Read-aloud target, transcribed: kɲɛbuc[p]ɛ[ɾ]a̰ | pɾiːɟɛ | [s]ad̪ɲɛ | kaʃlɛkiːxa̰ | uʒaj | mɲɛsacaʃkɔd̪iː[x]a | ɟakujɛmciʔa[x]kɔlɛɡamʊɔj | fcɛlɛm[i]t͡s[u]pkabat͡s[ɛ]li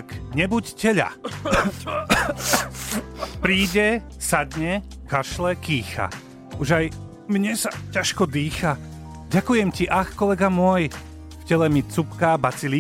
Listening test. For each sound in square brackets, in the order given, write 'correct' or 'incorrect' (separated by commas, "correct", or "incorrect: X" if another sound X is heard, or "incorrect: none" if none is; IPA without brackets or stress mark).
incorrect: c, incorrect: ʎ, correct, correct, correct, correct, correct, incorrect: i